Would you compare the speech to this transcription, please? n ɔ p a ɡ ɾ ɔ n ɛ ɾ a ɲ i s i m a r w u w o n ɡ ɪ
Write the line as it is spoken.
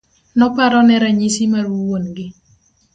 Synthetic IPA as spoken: n ɔ p a ɾ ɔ n ɛ ɾ a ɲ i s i m a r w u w o n ɡ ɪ